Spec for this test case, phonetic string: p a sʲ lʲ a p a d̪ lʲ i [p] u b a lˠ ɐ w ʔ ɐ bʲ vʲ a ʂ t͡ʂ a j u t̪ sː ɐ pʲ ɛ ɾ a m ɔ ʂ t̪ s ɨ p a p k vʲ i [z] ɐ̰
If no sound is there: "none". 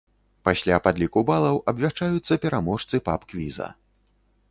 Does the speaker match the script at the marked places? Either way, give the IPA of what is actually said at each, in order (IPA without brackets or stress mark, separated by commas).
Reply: k, z